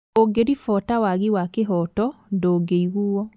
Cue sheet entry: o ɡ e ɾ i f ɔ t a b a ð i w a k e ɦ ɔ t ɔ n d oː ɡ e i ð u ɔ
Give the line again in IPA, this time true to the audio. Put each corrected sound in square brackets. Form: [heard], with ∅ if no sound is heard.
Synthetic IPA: o ɡ e ɾ i f ɔ t a [w] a [ɣ] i w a k e ɦ ɔ t ɔ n d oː ɡ e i [ɣ] u ɔ